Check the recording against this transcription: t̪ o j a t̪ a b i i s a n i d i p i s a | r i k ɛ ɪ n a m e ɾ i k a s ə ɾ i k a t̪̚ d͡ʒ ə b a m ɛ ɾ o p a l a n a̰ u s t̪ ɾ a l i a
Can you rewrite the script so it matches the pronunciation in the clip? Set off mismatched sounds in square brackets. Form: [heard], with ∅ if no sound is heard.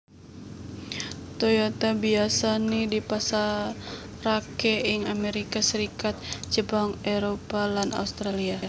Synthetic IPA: t̪ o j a t̪ a b i [a] s a n i d i p [a] s a | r [a] k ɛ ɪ [ŋ] a m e ɾ i k a s ə ɾ i k a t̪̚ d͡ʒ ə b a [ŋ] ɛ ɾ o p a l a n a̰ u s t̪ ɾ a l i a